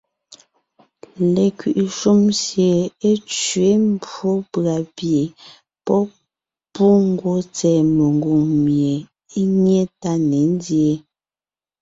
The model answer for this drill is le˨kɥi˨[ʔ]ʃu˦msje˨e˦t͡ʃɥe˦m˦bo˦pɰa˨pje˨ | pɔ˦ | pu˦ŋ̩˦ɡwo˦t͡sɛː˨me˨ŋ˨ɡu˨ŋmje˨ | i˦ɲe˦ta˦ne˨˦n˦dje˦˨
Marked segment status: correct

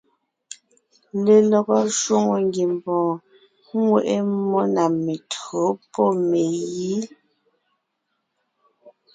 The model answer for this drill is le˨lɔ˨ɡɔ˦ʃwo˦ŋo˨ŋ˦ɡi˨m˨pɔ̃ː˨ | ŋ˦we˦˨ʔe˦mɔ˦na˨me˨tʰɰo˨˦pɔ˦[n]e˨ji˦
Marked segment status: incorrect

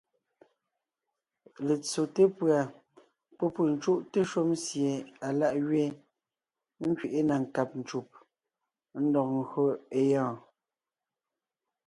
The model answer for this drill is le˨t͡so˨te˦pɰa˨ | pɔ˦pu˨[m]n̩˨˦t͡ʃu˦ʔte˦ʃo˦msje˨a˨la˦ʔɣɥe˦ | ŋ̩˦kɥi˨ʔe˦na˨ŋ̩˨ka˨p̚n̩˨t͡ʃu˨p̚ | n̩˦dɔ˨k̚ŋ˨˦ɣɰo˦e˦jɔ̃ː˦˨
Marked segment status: incorrect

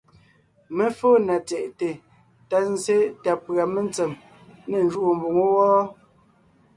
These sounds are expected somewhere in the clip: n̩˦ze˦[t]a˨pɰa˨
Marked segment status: correct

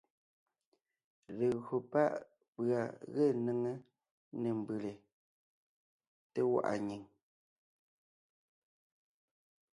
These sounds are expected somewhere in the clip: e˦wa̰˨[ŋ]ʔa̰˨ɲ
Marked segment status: incorrect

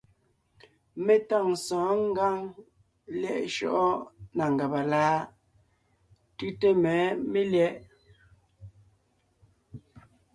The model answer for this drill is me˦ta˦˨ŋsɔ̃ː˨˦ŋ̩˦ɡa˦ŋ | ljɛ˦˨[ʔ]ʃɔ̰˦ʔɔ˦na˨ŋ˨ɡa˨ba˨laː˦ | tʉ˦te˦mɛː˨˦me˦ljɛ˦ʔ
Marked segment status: correct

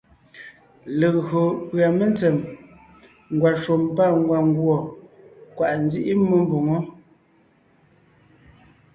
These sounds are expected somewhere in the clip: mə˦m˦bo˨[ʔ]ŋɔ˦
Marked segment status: incorrect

